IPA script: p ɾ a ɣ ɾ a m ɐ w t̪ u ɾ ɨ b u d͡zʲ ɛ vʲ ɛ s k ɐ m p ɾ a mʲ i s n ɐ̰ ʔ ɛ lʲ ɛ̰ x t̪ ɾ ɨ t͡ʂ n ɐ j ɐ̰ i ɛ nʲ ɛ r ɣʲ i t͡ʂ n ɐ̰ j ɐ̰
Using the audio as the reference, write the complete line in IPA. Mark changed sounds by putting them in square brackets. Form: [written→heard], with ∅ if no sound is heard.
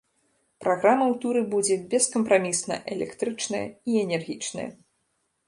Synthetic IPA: p ɾ a ɣ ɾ a m ɐ w t̪ u ɾ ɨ b u d͡zʲ ɛ [vʲ→bʲ] ɛ s k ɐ m p ɾ a mʲ i s n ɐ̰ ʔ ɛ lʲ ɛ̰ [x→k] t̪ ɾ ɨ t͡ʂ n ɐ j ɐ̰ i ɛ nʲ ɛ r ɣʲ i t͡ʂ n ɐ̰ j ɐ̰